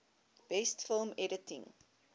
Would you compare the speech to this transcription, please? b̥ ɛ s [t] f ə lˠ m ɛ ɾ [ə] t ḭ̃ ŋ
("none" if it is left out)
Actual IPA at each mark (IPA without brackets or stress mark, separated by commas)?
t, ə